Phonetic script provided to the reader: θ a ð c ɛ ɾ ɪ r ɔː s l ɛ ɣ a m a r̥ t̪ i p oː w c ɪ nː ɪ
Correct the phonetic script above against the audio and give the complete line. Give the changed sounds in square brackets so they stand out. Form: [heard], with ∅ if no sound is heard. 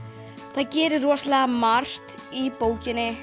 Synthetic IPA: θ a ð c [ɛː] ɾ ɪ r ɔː s l ɛ ɣ a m a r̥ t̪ i p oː w c ɪ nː ɪ